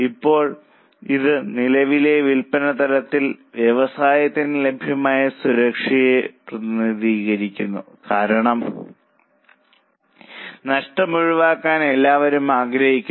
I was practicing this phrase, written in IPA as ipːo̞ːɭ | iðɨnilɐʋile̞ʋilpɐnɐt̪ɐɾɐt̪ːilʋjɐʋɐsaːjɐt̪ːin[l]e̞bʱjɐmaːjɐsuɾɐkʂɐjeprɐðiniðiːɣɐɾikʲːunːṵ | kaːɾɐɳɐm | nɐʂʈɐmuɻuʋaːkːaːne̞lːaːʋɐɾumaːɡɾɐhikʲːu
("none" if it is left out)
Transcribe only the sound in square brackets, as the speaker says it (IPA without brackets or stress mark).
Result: l